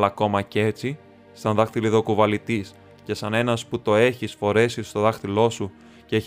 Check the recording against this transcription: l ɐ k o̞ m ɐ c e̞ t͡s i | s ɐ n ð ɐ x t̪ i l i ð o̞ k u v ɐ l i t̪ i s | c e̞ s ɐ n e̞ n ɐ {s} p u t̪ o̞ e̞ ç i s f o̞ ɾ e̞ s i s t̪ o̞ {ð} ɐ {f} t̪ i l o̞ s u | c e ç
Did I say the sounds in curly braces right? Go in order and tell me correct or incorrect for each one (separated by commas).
correct, correct, incorrect